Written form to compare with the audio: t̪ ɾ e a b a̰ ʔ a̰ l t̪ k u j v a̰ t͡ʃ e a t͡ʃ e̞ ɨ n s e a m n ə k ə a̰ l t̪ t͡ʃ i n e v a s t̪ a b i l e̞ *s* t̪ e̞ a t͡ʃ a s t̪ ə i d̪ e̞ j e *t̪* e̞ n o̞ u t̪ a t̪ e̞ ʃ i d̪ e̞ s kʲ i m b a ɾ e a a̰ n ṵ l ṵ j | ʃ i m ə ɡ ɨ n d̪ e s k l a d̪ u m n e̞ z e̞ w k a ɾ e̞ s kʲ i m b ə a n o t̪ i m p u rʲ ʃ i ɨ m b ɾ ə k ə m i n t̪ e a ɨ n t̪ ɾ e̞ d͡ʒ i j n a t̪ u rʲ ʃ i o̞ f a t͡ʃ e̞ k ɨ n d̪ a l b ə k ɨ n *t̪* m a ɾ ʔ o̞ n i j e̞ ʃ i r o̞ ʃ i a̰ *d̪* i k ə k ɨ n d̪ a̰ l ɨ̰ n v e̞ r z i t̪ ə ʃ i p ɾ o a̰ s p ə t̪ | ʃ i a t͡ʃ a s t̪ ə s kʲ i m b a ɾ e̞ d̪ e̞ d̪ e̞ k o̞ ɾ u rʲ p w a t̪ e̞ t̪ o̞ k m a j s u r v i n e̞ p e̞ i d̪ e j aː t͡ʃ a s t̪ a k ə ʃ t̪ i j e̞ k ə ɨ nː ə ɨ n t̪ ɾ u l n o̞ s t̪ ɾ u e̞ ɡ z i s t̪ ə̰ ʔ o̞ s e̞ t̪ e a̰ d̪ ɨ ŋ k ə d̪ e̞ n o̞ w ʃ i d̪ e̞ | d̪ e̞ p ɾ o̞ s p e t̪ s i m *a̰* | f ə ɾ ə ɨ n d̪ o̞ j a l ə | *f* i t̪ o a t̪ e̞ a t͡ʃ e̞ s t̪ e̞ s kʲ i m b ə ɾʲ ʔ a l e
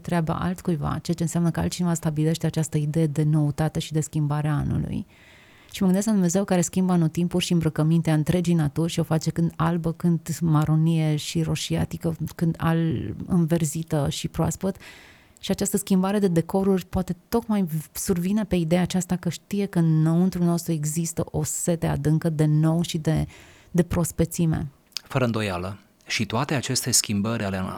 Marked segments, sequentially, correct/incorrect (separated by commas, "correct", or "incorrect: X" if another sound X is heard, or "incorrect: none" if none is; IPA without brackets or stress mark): incorrect: ʃ, incorrect: d̪, incorrect: d̪, incorrect: t̪, incorrect: ḛ, incorrect: ʃ